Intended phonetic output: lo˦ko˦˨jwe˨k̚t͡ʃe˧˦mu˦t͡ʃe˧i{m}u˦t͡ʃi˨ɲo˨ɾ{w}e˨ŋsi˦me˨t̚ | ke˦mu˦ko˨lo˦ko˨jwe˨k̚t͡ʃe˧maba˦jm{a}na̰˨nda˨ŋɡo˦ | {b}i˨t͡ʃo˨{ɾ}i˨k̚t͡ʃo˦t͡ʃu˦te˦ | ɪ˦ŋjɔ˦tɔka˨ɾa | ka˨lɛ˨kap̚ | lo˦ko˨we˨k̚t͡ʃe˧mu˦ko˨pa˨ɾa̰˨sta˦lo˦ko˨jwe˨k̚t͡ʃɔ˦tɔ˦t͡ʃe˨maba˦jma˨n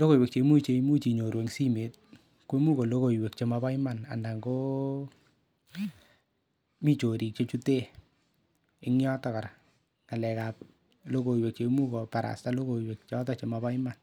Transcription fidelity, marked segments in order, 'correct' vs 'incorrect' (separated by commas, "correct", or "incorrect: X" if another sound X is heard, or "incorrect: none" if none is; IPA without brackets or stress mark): correct, correct, correct, incorrect: m, correct